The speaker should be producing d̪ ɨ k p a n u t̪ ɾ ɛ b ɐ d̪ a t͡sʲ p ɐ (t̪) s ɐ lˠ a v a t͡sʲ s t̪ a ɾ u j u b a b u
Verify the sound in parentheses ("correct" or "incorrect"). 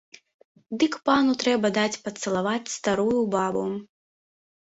correct